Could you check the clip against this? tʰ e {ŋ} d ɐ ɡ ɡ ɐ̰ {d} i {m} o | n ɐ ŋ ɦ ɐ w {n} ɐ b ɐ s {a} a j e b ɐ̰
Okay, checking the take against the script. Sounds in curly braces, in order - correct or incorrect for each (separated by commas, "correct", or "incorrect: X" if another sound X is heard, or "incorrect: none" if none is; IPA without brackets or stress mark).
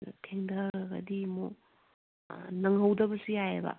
correct, correct, correct, incorrect: d, incorrect: i